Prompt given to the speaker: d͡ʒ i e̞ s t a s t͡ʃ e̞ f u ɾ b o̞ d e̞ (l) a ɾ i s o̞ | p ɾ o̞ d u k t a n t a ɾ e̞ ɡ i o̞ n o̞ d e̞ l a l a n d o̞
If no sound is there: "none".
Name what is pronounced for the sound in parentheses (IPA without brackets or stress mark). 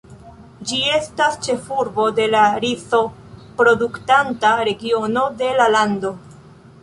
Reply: l